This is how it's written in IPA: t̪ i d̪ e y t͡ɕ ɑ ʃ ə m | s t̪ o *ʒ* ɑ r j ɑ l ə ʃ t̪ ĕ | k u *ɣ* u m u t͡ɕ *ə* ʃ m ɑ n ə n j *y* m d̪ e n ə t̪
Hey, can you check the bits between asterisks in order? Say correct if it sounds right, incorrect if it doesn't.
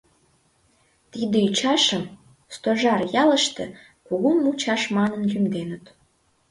correct, correct, incorrect: ɑ, correct

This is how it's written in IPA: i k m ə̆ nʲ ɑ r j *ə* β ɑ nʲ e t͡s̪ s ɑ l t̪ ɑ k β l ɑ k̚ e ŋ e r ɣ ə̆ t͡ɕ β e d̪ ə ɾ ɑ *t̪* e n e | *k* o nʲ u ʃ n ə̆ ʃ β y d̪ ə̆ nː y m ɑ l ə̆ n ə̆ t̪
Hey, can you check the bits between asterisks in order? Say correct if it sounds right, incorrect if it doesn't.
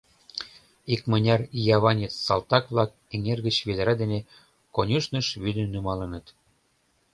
incorrect: ɑ, incorrect: d̪, correct

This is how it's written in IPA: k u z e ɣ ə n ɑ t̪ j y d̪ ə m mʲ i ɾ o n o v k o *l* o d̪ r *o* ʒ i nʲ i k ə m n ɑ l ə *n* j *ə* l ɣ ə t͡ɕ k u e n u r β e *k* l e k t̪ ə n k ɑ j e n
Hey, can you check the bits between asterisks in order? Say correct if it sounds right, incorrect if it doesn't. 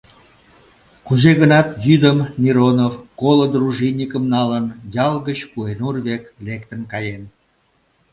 correct, incorrect: u, correct, incorrect: ɑ, correct

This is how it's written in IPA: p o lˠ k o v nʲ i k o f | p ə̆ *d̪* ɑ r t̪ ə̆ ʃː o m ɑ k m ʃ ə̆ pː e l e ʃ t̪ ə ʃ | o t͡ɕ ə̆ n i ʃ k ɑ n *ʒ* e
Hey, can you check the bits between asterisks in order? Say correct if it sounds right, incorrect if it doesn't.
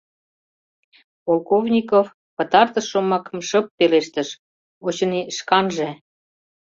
incorrect: t̪, correct

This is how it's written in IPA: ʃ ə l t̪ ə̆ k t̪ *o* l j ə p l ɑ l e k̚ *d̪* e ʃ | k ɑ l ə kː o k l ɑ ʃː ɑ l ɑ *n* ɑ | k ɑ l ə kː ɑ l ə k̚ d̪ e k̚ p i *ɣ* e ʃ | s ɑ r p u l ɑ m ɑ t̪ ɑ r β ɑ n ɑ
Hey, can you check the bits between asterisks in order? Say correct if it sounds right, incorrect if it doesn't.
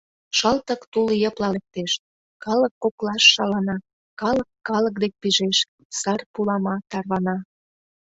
incorrect: u, incorrect: t̪, correct, incorrect: ʒ

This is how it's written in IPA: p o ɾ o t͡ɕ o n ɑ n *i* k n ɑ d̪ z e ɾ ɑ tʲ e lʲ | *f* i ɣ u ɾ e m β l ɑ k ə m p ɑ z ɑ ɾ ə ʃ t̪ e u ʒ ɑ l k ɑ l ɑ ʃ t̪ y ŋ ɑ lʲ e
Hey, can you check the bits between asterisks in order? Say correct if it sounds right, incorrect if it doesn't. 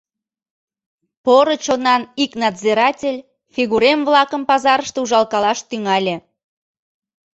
correct, correct

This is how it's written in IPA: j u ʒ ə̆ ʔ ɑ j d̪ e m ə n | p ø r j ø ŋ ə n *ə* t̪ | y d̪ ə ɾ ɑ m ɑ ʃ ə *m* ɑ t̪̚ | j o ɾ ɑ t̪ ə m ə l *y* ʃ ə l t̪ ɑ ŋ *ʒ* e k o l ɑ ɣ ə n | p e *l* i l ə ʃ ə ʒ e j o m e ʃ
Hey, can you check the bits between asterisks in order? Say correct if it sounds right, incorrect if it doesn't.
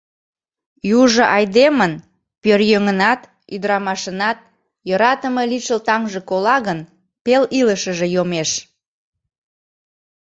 incorrect: ɑ, incorrect: n, incorrect: i, correct, correct

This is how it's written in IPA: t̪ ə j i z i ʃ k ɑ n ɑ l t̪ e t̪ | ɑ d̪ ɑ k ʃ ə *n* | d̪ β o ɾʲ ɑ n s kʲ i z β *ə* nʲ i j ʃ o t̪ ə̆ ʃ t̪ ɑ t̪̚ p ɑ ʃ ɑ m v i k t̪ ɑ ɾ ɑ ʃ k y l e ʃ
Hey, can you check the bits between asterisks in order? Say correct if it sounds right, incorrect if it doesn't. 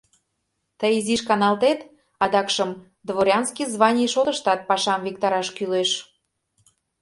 incorrect: m, incorrect: ɑ

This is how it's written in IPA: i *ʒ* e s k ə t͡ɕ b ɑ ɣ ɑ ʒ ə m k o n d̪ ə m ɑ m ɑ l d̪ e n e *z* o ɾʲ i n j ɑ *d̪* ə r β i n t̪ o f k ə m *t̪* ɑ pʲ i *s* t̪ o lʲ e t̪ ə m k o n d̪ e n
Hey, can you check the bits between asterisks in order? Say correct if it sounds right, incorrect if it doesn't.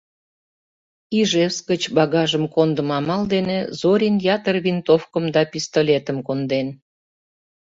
correct, correct, incorrect: t̪, incorrect: d̪, correct

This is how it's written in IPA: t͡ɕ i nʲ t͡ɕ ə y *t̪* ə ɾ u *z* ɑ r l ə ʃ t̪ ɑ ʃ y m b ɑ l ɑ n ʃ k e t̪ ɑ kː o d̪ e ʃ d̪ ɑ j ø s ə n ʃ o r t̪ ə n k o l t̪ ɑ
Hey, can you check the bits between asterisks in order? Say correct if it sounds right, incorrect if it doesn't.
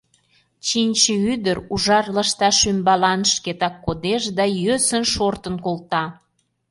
incorrect: d̪, incorrect: ʒ

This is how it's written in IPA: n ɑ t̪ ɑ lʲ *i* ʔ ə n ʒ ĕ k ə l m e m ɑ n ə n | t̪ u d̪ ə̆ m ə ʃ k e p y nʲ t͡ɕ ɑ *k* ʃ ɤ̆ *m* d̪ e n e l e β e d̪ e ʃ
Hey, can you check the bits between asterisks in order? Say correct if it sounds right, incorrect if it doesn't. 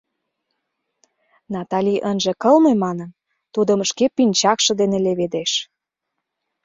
correct, correct, incorrect: none

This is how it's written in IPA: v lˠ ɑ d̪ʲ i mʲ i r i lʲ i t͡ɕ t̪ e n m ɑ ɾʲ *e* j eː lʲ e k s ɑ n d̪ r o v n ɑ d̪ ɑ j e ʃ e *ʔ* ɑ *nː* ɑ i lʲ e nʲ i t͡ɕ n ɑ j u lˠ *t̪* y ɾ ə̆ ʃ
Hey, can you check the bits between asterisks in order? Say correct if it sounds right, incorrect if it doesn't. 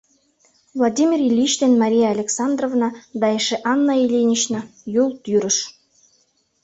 incorrect: i, correct, correct, correct

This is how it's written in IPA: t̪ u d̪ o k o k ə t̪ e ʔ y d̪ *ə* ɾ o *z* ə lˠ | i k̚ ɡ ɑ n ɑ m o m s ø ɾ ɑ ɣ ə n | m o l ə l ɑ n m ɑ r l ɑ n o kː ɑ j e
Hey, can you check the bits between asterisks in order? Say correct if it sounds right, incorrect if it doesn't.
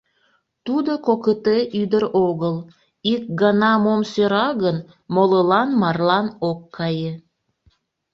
correct, incorrect: ɣ

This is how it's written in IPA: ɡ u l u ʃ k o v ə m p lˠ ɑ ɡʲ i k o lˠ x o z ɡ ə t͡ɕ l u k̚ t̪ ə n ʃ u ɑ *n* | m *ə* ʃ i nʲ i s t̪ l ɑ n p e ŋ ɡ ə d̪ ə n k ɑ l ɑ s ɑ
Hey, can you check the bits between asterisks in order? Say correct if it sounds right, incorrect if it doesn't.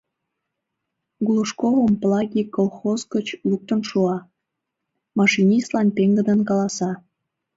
incorrect: none, incorrect: ɑ

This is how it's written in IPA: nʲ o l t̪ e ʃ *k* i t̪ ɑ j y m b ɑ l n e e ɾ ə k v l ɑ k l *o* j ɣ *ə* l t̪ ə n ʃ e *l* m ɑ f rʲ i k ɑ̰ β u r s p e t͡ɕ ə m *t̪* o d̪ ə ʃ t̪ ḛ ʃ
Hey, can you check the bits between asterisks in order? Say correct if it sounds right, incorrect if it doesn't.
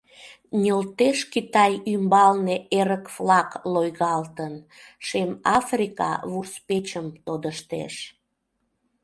correct, correct, incorrect: ɑ, incorrect: none, correct

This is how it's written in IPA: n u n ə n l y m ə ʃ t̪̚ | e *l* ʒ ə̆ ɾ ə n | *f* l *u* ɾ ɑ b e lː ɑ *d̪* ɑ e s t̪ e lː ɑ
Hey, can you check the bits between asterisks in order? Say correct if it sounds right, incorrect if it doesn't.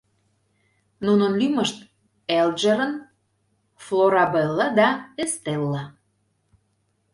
correct, correct, incorrect: o, correct

